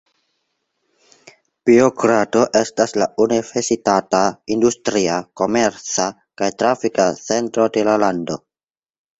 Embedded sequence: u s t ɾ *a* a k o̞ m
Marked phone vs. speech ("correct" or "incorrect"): incorrect